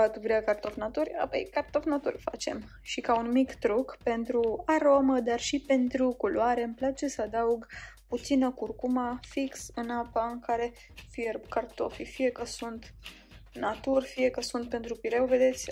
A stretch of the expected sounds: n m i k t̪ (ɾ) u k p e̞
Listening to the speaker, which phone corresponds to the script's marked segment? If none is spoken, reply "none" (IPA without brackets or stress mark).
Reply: ɾ